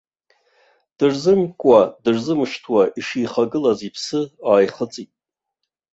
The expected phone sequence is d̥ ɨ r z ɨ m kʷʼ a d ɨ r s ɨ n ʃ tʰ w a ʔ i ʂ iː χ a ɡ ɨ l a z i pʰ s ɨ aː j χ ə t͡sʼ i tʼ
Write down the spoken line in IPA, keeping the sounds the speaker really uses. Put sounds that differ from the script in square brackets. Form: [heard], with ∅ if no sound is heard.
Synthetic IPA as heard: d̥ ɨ r z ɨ m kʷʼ a d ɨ r [z] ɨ [m] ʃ tʰ w a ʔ i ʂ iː χ a ɡ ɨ l a z i pʰ s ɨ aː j χ ə t͡sʼ i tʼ